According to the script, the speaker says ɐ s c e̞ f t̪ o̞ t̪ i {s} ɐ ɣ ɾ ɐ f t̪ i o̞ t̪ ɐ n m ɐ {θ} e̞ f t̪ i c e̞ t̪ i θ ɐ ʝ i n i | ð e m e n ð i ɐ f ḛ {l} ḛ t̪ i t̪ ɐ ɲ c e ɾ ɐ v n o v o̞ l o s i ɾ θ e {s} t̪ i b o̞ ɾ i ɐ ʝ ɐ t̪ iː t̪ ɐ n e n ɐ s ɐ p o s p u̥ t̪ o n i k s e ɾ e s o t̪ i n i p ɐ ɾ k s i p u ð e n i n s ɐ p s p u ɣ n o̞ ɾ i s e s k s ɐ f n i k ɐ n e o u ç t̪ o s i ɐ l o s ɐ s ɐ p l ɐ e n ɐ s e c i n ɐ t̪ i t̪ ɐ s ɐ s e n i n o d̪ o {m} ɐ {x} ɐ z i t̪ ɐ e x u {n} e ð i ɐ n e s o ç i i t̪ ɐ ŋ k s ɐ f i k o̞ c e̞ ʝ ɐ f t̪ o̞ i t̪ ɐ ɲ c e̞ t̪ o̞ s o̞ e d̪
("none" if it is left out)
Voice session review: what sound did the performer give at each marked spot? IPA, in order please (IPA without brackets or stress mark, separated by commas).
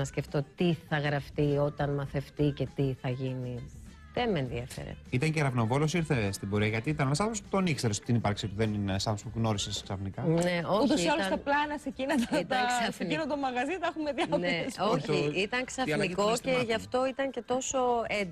θ, θ, ɾ, s, m, ɣ, m